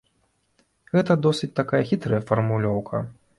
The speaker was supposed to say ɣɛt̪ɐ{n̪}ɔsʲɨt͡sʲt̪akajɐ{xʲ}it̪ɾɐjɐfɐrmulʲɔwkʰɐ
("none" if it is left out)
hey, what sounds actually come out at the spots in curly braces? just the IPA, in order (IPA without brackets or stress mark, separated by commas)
d̪, xʲ